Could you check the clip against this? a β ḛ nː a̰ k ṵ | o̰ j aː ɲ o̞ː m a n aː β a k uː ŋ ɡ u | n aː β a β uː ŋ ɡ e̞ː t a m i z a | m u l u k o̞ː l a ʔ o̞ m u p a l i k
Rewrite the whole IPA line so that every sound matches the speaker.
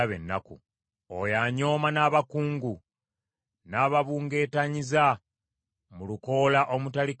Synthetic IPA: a β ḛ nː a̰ k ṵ | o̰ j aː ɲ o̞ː m a n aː β a k uː ŋ ɡ u | n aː β a β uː ŋ ɡ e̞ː t a ɲ i z a | m u l u k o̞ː l a ʔ o̞ m u t a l i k